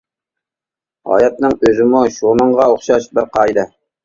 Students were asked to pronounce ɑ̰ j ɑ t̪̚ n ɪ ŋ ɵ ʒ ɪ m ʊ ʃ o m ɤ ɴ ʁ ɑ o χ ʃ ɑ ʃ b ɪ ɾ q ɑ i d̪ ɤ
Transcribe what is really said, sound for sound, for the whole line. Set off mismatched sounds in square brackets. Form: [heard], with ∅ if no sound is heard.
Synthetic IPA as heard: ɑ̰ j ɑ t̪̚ n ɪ ŋ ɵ [z] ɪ m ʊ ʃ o m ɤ ɴ ʁ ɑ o χ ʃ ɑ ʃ b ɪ ɾ q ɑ [j] d̪ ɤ